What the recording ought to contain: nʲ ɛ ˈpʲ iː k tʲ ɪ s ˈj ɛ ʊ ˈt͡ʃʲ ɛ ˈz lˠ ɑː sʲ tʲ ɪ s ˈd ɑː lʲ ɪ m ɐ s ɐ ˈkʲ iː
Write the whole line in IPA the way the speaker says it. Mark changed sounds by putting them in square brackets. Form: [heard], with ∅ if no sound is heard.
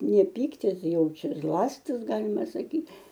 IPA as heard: nʲ ɛ ˈpʲ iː k tʲ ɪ s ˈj ɛ ʊ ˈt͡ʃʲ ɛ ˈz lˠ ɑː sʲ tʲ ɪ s [ˈɡ] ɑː lʲ ɪ m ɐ s ɐ ˈkʲ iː